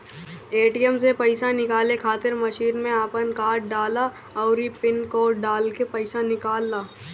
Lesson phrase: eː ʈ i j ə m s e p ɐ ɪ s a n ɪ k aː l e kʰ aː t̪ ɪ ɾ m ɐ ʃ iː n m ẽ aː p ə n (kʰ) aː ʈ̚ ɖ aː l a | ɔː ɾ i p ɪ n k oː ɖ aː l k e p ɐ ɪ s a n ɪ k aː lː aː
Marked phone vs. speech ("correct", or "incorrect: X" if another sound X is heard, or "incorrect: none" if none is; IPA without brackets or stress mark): incorrect: k